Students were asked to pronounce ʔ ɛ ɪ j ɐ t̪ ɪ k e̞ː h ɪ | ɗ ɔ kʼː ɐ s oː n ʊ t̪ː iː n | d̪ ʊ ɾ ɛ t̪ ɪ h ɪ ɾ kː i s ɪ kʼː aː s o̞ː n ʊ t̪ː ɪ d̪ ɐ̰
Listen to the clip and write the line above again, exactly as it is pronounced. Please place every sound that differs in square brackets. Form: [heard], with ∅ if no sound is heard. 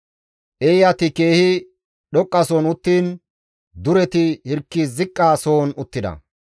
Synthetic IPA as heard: ʔ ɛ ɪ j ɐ t̪ ɪ k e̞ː h ɪ | ɗ ɔ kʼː ɐ s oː n ʊ t̪ː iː n | d̪ ʊ ɾ ɛ t̪ ɪ h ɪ ɾ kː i [z] ɪ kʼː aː s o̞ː n ʊ t̪ː ɪ d̪ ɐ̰

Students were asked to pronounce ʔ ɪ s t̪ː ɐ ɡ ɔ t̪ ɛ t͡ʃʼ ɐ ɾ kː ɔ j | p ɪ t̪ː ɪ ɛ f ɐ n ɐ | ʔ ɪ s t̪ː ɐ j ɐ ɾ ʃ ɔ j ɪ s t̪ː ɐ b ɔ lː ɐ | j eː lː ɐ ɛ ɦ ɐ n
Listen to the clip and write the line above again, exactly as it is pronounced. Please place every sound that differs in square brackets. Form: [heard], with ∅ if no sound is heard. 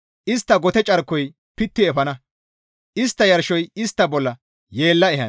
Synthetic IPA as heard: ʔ ɪ s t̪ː ɐ ɡ ɔ t̪ ɛ t͡ʃʼ ɐ ɾ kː ɔ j | p ɪ t̪ː ɪ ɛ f ɐ n ɐ | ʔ ɪ s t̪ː ɐ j ɐ ɾ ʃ ɔ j ɪ s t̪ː ɐ b ɔ lː ɐ | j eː lː ɐ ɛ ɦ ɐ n

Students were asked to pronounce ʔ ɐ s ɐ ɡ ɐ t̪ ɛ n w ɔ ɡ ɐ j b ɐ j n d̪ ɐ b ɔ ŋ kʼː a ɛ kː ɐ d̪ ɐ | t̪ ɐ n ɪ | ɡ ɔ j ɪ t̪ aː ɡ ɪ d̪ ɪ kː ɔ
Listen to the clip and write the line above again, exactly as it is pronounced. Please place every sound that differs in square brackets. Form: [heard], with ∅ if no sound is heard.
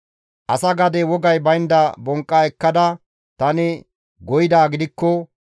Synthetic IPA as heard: ʔ ɐ s ɐ ɡ ɐ [d̪] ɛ [∅] w ɔ ɡ ɐ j b ɐ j n d̪ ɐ b ɔ ŋ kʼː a ɛ kː ɐ d̪ ɐ | t̪ ɐ n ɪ | ɡ ɔ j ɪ [d̪] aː ɡ ɪ d̪ ɪ kː ɔ

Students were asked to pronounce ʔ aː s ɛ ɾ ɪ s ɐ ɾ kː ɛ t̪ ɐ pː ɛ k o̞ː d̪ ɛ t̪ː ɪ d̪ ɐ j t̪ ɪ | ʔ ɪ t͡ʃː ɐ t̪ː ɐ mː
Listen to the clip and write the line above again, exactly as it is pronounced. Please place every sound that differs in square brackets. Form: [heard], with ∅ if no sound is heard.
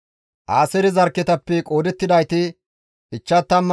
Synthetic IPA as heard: ʔ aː s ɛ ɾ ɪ [z] ɐ ɾ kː ɛ t̪ ɐ pː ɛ [kʼ] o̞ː d̪ ɛ t̪ː ɪ d̪ ɐ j t̪ ɪ | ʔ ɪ t͡ʃː ɐ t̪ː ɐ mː

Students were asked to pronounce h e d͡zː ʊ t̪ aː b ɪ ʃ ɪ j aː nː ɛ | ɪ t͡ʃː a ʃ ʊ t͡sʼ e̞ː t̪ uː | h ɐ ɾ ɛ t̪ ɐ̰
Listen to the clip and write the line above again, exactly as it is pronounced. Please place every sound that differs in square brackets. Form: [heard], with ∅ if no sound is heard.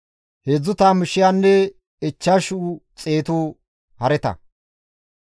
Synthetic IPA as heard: h e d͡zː ʊ t̪ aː [m] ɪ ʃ ɪ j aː nː ɛ | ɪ t͡ʃː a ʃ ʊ t͡sʼ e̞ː t̪ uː | h ɐ ɾ ɛ t̪ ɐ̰

